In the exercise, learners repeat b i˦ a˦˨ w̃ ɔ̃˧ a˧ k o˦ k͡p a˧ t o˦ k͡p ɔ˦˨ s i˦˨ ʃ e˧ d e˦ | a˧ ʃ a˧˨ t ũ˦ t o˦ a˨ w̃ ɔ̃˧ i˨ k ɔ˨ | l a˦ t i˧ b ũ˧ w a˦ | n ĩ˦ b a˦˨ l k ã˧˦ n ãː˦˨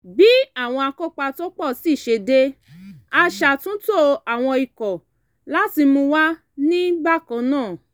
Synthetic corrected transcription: b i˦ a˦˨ w̃ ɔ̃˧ a˧ k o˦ k͡p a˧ t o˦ k͡p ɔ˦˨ s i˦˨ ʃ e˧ d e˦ | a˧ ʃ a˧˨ t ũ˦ t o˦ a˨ w̃ ɔ̃˧ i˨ k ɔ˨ | l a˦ t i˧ m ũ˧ w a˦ | n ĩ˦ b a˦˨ k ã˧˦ n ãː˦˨